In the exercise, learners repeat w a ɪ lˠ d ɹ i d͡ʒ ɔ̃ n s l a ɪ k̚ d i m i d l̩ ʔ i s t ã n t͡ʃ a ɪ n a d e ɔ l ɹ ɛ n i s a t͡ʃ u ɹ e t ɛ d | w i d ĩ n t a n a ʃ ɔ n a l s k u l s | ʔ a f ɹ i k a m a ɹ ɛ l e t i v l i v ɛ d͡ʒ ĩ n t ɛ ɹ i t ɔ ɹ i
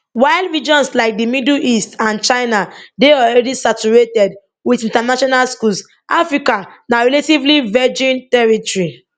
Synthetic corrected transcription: w a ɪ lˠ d ɹ i d͡ʒ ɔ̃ n s l a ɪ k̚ d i m i d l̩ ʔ i s t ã n t͡ʃ a ɪ n a d e ɔ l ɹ ɛ d i s a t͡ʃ u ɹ e t ɛ d | w i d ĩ n t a n a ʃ ɔ n a l s k u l s | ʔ a f ɹ i k a n a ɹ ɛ l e t i v l i v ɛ d͡ʒ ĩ n t ɛ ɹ i t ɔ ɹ i